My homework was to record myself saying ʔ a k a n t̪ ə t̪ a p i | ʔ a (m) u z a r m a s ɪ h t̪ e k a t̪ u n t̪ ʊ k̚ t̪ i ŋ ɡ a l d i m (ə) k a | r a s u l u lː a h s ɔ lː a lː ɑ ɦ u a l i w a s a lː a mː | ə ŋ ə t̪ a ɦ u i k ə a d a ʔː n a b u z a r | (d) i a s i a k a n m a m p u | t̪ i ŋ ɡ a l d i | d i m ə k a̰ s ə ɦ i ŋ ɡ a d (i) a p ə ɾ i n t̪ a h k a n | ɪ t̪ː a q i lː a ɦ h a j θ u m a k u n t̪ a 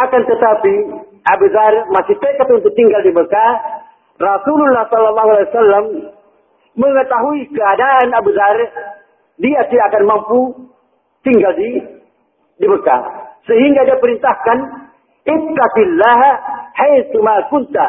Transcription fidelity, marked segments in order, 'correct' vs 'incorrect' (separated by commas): incorrect, correct, correct, correct